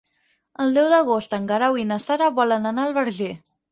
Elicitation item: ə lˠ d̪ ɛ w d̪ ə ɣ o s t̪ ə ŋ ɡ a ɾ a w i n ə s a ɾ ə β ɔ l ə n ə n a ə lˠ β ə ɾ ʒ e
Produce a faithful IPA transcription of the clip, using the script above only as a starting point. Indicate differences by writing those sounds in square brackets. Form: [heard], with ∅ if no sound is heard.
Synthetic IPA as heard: ə lˠ d̪ ɛ w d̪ ə ɣ o s t̪ ə ŋ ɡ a ɾ a w i n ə s a ɾ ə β ɔ l ə n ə n a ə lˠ β ə ɾ ʒ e